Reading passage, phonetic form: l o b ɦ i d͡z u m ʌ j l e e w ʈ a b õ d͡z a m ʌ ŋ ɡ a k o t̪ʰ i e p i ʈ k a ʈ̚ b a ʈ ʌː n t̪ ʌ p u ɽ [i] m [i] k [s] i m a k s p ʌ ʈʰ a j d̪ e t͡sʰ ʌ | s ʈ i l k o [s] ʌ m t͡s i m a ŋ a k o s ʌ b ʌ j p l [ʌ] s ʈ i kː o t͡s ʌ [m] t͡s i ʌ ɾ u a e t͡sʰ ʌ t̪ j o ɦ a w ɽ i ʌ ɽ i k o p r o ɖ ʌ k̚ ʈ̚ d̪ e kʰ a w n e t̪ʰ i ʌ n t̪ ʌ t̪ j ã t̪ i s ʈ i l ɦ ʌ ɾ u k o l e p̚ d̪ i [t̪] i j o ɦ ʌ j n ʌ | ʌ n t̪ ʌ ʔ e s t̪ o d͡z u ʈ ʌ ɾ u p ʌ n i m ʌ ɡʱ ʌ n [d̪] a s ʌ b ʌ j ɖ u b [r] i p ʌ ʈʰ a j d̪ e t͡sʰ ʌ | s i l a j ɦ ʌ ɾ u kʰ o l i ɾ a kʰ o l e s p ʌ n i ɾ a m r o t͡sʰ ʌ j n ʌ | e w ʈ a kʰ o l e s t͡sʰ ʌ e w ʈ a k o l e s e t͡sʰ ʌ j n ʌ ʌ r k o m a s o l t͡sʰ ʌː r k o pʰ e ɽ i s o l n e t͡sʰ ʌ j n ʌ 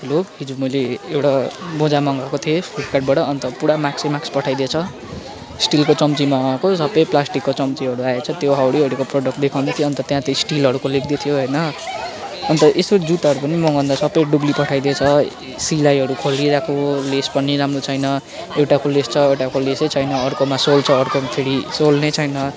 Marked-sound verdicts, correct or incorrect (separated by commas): incorrect, incorrect, correct, incorrect, incorrect, correct, incorrect, correct, incorrect